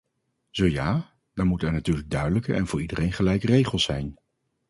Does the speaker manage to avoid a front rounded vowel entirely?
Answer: no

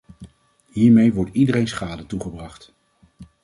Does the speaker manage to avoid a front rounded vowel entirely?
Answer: yes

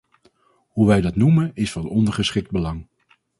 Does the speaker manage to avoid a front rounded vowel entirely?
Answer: yes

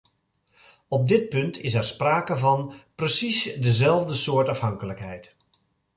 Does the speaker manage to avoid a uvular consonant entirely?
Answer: yes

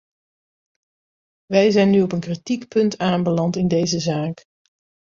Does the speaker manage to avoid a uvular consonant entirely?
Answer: yes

